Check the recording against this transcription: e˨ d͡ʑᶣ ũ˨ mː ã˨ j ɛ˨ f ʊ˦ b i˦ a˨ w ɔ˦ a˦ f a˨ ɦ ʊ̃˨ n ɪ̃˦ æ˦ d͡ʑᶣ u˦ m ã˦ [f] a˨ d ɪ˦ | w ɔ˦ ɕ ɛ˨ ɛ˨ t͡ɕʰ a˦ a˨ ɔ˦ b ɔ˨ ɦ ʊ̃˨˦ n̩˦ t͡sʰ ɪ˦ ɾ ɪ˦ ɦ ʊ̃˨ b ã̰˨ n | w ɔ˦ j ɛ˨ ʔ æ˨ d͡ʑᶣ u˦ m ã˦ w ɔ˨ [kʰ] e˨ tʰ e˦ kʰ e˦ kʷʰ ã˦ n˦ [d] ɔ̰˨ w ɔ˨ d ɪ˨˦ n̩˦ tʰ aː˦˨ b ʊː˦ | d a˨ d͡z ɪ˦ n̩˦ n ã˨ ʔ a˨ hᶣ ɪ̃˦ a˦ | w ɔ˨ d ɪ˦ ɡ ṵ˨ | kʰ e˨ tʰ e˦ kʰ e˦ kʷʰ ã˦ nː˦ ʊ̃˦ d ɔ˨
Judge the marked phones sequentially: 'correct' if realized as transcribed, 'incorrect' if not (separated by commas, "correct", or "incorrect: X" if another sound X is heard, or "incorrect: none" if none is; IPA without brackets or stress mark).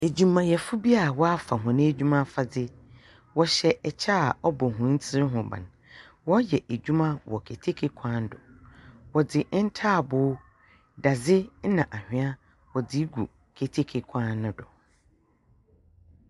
correct, correct, correct